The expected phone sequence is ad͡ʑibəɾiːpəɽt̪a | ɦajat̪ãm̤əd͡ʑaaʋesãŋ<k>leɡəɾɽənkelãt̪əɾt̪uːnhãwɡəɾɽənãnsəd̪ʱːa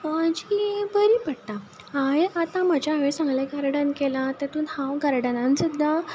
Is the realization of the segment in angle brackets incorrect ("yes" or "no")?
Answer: yes